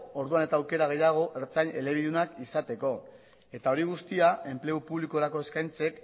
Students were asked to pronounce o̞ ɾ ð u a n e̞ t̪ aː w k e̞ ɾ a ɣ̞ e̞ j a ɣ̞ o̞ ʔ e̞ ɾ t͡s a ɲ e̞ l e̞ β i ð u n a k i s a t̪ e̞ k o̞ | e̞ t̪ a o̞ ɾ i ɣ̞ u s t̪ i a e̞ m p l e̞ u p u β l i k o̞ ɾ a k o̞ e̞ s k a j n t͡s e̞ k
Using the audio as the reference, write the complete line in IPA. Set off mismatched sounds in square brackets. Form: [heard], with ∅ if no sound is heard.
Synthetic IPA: o̞ ɾ ð u a n e̞ t̪ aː w k e̞ ɾ a ɣ̞ e̞ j a ɣ̞ o̞ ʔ e̞ ɾ t͡s a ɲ e̞ l e̞ β i ð u n a k i s a t̪ e̞ k o̞ | e̞ t̪ a o̞ ɾ i ɣ̞ u s t̪ i a e̞ m p l e̞ u p u β l i k o̞ ɾ a k o̞ e̞ s k a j n t͡s e̞ k